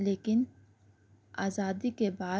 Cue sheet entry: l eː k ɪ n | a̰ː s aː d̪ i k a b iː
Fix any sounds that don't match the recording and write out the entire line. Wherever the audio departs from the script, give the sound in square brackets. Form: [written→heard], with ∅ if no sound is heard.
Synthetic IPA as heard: l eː k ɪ n | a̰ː [s→z] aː d̪ i k [a→e] b [iː→aː]